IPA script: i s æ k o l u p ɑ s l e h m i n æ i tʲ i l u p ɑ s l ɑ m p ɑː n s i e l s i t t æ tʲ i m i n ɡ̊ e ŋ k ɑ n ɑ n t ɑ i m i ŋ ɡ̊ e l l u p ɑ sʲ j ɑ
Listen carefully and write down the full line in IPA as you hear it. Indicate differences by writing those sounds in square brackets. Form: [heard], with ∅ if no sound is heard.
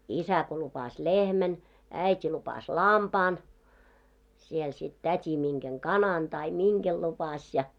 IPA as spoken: i s æ k o l u p ɑ s l e h m [æ] n æ i tʲ i l u p ɑ s l ɑ m p ɑː n s i e l s i t t æ tʲ i m i [ŋ] ɡ̊ e ŋ k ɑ n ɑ n t ɑ i m i ŋ ɡ̊ e l l u p ɑ sʲ j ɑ